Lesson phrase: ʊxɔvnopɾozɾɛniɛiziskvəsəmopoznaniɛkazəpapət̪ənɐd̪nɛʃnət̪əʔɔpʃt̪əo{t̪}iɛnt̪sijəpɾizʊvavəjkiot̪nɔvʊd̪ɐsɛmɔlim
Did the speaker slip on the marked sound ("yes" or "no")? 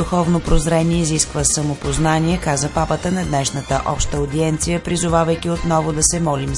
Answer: yes